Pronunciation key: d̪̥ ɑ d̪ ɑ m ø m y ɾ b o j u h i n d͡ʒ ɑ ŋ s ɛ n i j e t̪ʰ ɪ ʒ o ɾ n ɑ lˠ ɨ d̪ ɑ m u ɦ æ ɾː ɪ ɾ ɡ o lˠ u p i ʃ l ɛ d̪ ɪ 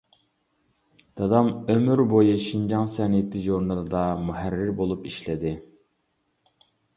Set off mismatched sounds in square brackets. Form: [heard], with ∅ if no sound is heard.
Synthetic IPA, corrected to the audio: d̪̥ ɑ d̪ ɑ m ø m y ɾ b o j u [ʃ] i n d͡ʒ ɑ ŋ s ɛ n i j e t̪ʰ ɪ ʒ o ɾ n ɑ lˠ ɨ d̪ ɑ m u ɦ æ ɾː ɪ ɾ [b] o lˠ u p i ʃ l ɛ d̪ ɪ